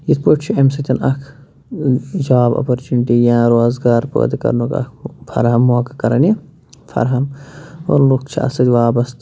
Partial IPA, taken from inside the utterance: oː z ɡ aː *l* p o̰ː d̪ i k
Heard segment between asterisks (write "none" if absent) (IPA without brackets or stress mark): ɾ